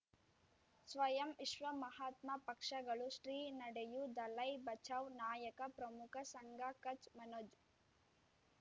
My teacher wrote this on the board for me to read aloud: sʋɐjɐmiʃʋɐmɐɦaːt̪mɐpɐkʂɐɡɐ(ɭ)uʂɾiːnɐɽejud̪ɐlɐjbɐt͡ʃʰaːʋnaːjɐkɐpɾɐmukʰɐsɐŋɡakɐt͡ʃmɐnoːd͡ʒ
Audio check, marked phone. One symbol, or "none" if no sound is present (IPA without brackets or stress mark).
ɭ